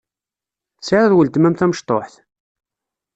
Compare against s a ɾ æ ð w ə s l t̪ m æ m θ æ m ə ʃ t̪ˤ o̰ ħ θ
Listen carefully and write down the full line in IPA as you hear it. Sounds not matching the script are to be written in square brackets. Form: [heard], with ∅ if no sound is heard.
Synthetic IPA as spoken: s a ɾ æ ð w ə [∅] l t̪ m æ m θ æ m ə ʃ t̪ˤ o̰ ħ θ